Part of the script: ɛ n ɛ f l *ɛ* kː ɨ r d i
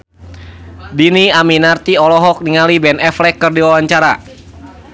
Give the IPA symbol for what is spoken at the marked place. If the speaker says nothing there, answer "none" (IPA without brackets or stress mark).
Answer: ɛ